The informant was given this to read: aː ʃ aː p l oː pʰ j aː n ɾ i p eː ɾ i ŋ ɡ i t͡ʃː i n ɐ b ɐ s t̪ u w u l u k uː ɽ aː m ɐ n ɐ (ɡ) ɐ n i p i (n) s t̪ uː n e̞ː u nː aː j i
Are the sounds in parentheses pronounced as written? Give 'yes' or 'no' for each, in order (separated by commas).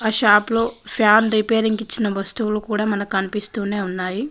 no, no